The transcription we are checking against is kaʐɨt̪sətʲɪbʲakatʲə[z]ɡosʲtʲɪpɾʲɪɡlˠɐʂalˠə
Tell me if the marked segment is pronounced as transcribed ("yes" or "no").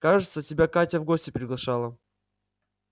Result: no